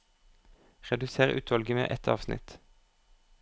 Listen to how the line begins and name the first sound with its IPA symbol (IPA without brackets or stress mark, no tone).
ʁ